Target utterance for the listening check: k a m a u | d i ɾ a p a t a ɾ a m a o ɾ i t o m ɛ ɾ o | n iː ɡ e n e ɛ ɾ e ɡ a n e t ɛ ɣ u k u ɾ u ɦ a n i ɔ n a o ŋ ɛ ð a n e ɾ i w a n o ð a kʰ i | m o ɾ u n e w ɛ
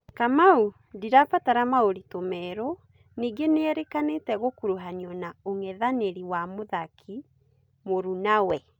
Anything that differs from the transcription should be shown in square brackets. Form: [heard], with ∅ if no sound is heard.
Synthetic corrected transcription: k a m a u | d i ɾ a p a t a ɾ a m a o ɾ i t o m ɛ ɾ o | n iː ɡ e n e ɛ ɾ e [k] a n e t ɛ ɣ [o] k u ɾ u ɦ a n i ɔ n a o ŋ ɛ ð a n e ɾ i w a [m] o ð a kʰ i | m o ɾ u n [a] w ɛ